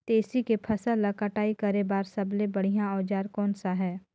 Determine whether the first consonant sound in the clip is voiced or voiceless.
voiceless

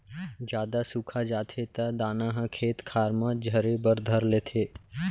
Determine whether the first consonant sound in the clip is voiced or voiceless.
voiced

